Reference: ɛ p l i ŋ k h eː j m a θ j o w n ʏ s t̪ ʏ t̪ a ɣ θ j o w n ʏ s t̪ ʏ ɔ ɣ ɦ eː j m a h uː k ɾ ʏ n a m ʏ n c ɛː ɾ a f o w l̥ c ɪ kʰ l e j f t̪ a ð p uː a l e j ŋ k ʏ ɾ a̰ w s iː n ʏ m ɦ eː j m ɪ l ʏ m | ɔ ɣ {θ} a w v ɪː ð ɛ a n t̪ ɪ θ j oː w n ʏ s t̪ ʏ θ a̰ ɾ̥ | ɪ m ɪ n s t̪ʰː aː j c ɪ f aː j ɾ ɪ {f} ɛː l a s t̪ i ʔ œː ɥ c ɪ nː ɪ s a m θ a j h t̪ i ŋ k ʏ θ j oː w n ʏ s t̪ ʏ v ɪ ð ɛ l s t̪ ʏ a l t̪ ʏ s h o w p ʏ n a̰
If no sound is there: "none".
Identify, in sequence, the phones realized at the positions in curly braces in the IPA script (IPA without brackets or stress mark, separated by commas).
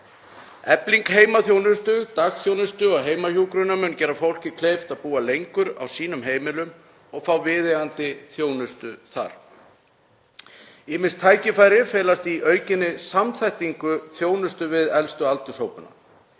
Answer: f, f